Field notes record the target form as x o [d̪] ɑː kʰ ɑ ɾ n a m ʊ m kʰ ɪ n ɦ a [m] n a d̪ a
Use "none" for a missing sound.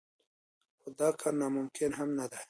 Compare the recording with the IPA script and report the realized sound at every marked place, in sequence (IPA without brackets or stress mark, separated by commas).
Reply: d̪, m